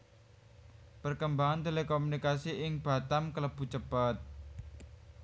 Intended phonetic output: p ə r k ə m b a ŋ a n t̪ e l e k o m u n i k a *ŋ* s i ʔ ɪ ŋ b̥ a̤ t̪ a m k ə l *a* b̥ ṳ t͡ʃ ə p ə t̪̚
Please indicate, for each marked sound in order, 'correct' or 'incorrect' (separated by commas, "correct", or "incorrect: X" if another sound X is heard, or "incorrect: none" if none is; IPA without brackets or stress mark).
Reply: incorrect: none, incorrect: ə